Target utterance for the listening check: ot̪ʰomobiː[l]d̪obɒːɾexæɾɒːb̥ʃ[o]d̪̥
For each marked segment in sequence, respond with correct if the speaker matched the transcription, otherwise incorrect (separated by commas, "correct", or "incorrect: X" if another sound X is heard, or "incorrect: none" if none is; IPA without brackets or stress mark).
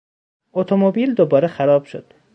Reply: correct, correct